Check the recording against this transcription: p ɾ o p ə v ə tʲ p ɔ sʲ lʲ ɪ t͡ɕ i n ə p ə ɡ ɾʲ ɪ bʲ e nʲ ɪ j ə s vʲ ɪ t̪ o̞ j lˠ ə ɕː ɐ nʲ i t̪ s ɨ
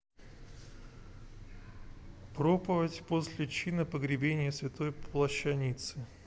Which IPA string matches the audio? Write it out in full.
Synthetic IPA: p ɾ o p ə v ə tʲ p o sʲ lʲ ɪ t͡ɕ i n ə p ə ɡ ɾʲ ɪ bʲ e nʲ ɪ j ə s vʲ ɪ t̪ o̞ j lˠ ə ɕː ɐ nʲ i t̪ s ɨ